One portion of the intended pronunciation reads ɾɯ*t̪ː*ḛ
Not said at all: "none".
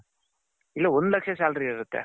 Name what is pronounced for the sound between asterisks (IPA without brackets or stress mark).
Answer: t̪ː